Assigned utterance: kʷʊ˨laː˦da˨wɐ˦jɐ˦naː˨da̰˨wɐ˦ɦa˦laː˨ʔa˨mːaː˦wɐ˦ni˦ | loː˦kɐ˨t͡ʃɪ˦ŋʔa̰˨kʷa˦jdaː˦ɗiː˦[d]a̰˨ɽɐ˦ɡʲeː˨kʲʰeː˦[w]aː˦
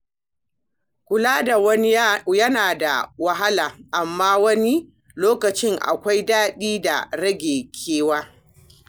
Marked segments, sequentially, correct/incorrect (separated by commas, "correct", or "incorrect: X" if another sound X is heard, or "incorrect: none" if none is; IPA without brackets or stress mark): correct, correct